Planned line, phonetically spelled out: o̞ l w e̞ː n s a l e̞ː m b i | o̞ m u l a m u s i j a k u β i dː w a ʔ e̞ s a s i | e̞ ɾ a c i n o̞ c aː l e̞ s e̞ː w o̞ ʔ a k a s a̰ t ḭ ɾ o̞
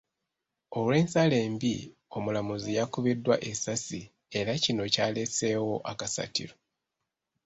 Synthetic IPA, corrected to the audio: o̞ l w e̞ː n s a l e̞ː m b i | o̞ m u l a m u z i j a k u β i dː w a ʔ e̞ s a s i | e̞ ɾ a c i n o̞ c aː l e̞ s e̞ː w o̞ ʔ a k a s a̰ t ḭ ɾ o̞